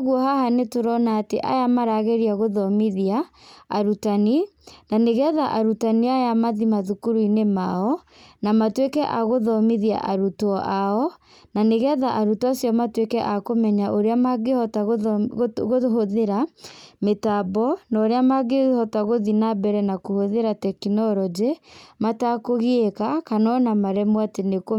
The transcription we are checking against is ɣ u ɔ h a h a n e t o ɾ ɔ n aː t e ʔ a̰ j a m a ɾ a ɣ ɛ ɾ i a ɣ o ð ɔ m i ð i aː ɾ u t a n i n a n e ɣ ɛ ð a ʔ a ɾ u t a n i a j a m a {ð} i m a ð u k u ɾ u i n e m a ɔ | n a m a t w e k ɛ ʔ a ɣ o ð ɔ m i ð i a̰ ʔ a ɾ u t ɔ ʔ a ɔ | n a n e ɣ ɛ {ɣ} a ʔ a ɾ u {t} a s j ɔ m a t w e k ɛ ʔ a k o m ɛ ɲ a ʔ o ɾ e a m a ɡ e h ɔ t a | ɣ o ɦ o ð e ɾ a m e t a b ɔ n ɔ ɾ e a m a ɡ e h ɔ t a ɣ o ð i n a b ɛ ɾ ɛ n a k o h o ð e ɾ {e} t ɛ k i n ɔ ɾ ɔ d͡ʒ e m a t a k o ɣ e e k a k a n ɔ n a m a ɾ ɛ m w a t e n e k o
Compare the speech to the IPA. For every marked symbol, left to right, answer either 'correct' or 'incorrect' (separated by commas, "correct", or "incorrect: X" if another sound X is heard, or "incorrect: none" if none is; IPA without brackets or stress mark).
correct, incorrect: ð, correct, incorrect: a